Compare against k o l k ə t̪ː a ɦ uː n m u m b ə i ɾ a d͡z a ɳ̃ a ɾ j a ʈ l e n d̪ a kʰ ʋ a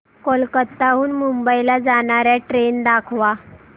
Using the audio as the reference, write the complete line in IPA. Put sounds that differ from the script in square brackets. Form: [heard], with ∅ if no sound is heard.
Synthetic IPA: k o l k ə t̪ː a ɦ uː n m u m b ə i [l] a d͡z a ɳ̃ a ɾ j a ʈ [ɾ] e n d̪ a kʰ ʋ a